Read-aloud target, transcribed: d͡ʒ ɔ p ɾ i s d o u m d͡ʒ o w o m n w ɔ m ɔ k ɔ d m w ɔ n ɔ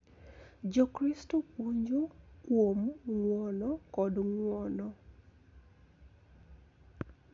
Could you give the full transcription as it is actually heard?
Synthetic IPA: d͡ʒ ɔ k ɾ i s t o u ɲ d͡ʒ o w o m ŋ w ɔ n ɔ k ɔ d ŋ w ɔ n ɔ